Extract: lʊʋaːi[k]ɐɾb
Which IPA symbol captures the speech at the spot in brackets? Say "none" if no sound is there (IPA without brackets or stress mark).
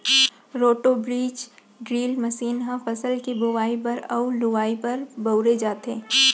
p